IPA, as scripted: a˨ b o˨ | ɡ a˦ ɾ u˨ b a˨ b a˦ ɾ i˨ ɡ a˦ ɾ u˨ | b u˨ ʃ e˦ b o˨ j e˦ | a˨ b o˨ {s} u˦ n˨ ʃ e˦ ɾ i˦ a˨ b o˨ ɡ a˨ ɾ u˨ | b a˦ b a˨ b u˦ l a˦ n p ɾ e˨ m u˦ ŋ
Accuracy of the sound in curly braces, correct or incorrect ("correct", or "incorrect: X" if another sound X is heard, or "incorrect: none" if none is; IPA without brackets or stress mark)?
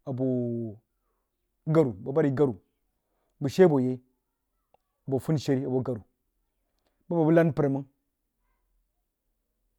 incorrect: f